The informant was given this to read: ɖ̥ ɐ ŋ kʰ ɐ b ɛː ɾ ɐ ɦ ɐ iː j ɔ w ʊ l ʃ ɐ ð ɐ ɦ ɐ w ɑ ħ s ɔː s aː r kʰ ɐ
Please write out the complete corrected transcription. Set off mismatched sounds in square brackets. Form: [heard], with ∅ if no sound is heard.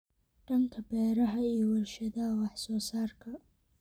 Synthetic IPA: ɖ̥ ɐ ŋ kʰ ɐ b ɛː ɾ ɐ ɦ ɐ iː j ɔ w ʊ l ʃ ɐ ð ɐ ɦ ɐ w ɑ ħ s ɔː s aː r kʰ ɐ